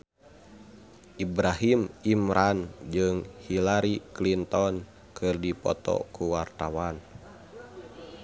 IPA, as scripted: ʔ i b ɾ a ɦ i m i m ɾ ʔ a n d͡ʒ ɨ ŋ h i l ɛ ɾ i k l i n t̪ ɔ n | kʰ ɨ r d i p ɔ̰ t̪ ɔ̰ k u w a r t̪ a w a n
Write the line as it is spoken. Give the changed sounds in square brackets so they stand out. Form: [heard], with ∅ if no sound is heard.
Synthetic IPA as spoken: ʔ i b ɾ a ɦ i m i m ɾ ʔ a n d͡ʒ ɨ ŋ h i l [a] ɾ i k l i n t̪ ɔ n | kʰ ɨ r d i p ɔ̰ t̪ ɔ̰ k u w a r t̪ a w a n

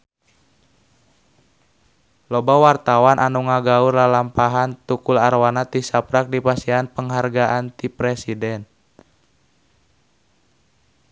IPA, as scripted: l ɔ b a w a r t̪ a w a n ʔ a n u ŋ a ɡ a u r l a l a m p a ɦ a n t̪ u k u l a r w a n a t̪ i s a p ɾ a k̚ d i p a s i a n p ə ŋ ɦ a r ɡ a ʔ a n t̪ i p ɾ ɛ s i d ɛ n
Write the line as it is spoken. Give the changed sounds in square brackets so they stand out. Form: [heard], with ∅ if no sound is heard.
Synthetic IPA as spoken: l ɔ b a w a r t̪ a w a n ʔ a n u ŋ a ɡ a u r l a l a m p a ɦ a n t̪ u k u l a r w a n a t̪ i s a p ɾ a k̚ d i p a s i a n p ə ŋ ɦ a r ɡ a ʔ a n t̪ i p ɾ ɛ s i d ɛ n

